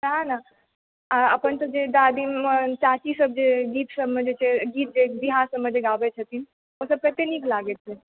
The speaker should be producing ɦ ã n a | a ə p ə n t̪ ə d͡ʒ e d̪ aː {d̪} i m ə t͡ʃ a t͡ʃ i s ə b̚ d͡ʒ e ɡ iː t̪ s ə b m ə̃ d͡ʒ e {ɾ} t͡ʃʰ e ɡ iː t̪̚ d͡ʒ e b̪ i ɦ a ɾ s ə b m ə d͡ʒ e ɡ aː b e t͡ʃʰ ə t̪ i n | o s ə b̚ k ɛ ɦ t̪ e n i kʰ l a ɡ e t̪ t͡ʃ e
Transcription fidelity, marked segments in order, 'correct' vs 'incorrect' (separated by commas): correct, incorrect